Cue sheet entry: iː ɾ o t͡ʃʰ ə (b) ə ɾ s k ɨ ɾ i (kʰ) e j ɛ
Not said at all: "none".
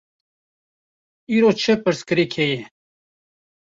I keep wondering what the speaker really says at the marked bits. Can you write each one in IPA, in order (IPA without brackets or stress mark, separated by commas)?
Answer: p, kʰ